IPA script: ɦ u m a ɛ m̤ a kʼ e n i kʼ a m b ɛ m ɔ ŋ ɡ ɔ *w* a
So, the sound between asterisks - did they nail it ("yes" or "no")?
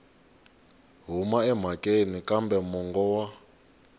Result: yes